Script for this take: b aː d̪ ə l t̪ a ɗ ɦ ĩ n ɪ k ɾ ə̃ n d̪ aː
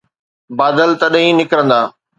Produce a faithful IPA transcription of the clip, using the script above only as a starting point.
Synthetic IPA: b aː d̪ ə l t̪ ɐ ɗ ɦ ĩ n ɪ k ɾ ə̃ n d̪ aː

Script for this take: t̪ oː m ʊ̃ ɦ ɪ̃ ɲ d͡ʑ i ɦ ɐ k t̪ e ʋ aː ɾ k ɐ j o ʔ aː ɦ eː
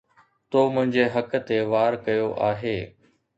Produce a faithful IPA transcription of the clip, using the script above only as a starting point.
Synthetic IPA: t̪ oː m ʊ̃ ɦ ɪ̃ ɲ d͡ʑ e ɦ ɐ k t̪ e ʋ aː ɾ k ɐ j o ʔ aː ɦ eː

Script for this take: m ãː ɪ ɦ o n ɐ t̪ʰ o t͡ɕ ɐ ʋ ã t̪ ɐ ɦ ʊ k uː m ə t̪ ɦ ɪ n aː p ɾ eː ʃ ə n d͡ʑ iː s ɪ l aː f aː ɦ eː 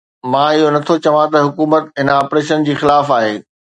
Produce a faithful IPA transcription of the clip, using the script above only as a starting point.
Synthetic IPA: m ãː ɪ ɦ o n ɐ t̪ʰ o t͡ɕ ɐ ʋ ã t̪ ɐ ɦ ʊ k uː m ə t̪ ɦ ɪ n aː p ɾ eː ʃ ə n d͡ʑ iː x ɪ l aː f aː ɦ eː

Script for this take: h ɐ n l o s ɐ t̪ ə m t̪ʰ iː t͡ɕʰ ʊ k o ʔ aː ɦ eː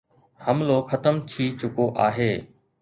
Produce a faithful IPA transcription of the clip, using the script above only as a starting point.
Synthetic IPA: h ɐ m l o x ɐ t̪ ə m t̪ʰ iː t͡ɕ ʊ k o ʔ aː ɦ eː

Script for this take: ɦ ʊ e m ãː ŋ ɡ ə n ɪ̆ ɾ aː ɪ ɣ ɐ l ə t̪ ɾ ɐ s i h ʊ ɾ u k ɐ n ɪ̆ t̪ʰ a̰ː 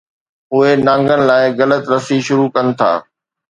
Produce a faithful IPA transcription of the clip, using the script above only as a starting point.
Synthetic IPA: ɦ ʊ e n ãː ŋ ɡ ə n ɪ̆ l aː ɪ ɣ ɐ l ə t̪ ɾ ɐ s i ʃ ʊ ɾ u k ɐ n ɪ̆ t̪ʰ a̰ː

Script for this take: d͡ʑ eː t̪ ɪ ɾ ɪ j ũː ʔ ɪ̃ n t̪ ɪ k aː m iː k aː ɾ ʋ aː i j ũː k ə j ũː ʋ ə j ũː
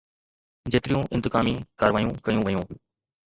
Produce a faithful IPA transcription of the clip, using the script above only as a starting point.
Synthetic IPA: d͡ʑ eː t̪ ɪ ɾ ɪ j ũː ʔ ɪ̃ n t̪ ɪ k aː m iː k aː ɾ ʋ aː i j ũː k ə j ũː ʋ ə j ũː

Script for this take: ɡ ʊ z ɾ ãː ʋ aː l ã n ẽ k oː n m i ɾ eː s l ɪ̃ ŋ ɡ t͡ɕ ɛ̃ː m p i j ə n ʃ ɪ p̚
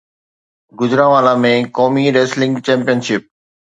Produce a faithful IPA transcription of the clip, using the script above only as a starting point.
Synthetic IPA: ɡ ʊ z ɾ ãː ʋ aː l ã m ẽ k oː m i ɾ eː s l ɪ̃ ŋ ɡ t͡ɕ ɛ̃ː m p i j ə n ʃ ɪ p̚

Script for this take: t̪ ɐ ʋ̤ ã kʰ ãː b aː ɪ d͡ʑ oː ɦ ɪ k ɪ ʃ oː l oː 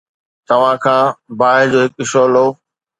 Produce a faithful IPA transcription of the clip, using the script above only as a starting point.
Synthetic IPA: t̪ ɐ ʋ̤ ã kʰ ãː b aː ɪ d͡ʑ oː ɦ ɪ k ɪ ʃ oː l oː

